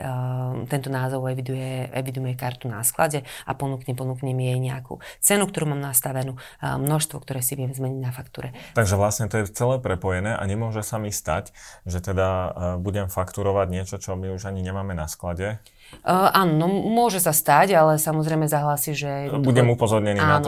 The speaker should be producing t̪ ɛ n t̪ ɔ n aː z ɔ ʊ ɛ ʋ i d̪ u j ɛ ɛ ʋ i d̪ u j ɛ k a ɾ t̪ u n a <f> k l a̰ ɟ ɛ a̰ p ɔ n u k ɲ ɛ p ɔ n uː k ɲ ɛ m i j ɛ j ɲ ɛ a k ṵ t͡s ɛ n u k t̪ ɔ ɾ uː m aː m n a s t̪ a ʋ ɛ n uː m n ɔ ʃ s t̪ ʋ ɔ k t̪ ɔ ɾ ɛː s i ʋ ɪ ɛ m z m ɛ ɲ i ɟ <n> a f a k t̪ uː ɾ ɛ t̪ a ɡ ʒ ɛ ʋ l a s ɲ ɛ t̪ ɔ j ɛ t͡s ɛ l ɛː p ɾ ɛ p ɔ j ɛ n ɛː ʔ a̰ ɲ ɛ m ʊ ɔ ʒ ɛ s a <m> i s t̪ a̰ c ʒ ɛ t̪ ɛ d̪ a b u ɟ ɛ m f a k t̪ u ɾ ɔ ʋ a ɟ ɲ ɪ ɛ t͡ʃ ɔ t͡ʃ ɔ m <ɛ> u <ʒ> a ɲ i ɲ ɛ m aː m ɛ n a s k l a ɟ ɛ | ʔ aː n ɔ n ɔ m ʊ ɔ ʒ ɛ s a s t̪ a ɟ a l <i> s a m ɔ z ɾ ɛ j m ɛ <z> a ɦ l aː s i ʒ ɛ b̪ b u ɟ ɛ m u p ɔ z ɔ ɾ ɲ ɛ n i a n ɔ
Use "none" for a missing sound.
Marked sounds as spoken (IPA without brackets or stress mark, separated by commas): s, n, m, i, ʒ, ɛ, z